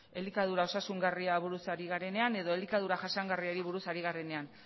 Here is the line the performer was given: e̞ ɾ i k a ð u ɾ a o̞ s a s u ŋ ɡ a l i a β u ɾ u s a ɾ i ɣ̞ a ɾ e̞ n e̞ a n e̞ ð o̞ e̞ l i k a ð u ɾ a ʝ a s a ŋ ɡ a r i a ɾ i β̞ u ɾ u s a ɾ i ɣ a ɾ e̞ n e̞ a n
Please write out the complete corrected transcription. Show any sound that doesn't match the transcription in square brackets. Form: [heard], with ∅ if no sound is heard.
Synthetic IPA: e̞ [l] i k a ð u ɾ a o̞ s a s u ŋ ɡ a [r] i a β u ɾ u s a ɾ i ɣ̞ a ɾ e̞ n e̞ a n e̞ ð o̞ e̞ l i k a ð u ɾ a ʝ a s a ŋ ɡ a r i a ɾ i β̞ u ɾ u s a ɾ i ɣ a ɾ e̞ n e̞ a n